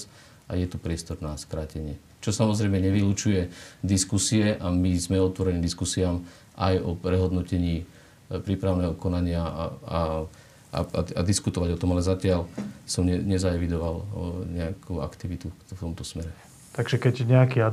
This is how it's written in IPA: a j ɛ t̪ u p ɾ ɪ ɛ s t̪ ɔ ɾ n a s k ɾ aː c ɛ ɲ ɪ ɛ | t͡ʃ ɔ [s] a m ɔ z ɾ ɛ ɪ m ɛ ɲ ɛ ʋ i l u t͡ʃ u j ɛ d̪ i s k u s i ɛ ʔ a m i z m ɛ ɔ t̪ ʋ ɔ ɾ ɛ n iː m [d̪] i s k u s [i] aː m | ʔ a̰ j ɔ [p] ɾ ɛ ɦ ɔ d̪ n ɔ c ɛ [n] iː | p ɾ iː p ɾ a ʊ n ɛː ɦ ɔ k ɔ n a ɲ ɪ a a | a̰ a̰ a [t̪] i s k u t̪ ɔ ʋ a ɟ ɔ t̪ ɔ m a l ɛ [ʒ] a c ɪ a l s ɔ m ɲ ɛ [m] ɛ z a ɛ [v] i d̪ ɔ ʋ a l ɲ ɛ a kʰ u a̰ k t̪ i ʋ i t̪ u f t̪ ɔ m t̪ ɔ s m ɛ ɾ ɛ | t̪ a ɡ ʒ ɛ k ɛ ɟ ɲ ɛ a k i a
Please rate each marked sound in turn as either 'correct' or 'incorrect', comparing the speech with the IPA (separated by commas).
correct, correct, correct, correct, incorrect, incorrect, incorrect, incorrect, incorrect